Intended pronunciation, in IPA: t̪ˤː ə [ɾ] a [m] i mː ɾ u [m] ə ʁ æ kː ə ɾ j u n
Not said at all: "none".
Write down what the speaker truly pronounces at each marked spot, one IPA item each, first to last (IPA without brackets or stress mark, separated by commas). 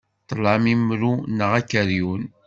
l, m, n